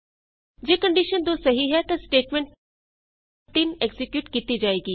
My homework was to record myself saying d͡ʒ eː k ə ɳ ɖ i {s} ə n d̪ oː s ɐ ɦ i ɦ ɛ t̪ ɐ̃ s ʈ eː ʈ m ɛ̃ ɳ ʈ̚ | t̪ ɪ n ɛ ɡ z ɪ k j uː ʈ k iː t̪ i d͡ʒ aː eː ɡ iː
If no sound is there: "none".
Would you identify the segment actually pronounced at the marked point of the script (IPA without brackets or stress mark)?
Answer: ʃ